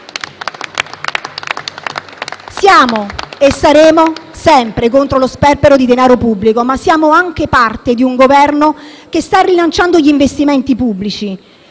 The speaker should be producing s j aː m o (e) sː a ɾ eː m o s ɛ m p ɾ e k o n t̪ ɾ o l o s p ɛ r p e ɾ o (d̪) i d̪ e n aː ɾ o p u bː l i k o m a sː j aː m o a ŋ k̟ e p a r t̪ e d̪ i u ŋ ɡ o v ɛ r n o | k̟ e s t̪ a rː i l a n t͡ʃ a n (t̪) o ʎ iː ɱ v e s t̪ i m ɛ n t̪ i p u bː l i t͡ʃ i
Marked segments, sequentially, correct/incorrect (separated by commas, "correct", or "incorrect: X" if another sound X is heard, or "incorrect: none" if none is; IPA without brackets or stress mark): correct, correct, incorrect: d̪